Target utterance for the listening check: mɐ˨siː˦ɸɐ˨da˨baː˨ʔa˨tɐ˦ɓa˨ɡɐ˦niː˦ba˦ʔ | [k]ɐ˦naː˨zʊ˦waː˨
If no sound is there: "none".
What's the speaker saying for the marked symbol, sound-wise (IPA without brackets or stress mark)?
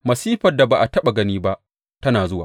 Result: t